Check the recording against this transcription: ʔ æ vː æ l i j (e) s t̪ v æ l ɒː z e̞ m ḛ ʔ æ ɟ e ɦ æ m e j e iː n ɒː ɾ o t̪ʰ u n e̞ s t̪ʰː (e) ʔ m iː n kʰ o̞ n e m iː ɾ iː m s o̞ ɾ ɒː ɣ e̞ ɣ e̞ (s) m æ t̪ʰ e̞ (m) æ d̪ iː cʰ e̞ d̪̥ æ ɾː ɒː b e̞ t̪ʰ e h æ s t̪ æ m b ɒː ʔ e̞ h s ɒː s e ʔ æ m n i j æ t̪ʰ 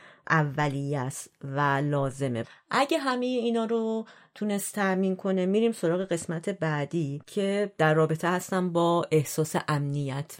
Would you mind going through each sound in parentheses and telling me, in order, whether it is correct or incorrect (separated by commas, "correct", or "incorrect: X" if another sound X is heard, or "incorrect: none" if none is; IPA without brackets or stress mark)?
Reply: incorrect: æ, incorrect: æ, correct, incorrect: b